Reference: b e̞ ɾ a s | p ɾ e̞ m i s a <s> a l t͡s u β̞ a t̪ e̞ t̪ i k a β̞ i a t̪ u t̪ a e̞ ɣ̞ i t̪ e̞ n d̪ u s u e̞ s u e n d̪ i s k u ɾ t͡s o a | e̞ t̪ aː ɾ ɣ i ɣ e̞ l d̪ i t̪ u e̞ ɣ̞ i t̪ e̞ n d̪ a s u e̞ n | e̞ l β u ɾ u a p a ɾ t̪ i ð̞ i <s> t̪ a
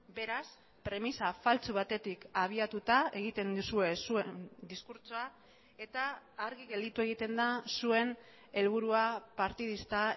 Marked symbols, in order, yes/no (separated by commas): no, yes